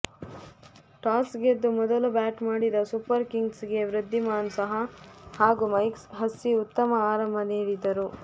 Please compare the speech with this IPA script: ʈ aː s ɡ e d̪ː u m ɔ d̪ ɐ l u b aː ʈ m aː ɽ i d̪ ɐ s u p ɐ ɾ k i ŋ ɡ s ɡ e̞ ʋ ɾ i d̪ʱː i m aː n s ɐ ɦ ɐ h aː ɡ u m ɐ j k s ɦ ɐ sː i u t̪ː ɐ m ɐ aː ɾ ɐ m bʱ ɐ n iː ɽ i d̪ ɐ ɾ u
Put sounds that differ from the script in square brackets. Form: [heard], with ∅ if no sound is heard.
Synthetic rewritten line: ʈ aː s ɡ e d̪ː u m ɔ d̪ ɐ l u b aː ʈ m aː ɽ i d̪ ɐ s u p ɐ ɾ k i ŋ ɡ s ɡ e̞ ʋ ɾ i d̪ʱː i m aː n s ɐ ɦ ɐ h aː ɡ u m ɐ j k s ɦ ɐ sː i u t̪ː ɐ m ɐ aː ɾ ɐ m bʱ ɐ n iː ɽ i d̪ ɐ ɾ u

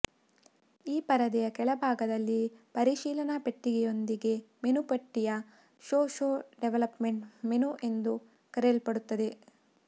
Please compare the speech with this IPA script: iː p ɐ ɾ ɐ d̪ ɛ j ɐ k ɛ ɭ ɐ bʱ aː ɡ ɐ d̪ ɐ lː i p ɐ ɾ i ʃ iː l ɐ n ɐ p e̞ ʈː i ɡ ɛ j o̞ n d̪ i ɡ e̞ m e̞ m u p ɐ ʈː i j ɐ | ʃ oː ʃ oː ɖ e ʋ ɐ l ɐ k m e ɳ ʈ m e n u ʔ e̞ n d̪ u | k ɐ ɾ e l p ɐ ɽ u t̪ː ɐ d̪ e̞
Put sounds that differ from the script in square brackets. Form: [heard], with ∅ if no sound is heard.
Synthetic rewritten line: iː p ɐ ɾ ɐ d̪ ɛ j ɐ k ɛ ɭ ɐ bʱ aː ɡ ɐ d̪ ɐ lː i p ɐ ɾ i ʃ iː l ɐ n ɐ p e̞ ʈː i ɡ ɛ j o̞ n d̪ i ɡ e̞ m e̞ [n] u p ɐ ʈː i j ɐ | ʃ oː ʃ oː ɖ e ʋ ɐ l ɐ [p] m e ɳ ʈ m e n u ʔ e̞ n d̪ u | k ɐ ɾ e l p ɐ ɽ u t̪ː ɐ d̪ e̞

